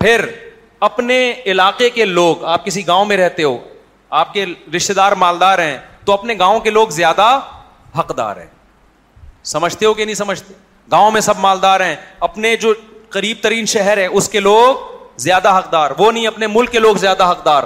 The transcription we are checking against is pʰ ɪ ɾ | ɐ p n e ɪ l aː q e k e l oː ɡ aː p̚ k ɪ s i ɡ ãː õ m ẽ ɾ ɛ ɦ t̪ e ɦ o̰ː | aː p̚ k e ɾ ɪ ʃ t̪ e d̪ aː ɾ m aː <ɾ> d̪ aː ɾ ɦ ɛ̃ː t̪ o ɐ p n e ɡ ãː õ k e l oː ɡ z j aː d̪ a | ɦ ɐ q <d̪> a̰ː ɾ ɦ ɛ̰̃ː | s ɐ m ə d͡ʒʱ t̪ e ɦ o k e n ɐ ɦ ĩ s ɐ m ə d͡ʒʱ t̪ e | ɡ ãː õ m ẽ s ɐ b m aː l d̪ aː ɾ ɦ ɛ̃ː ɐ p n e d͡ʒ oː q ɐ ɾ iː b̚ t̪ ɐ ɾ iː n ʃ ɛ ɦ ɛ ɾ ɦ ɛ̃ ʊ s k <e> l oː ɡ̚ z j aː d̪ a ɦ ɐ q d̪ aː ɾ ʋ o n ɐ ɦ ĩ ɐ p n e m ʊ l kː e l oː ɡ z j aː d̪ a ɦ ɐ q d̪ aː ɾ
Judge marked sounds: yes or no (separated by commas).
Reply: no, yes, yes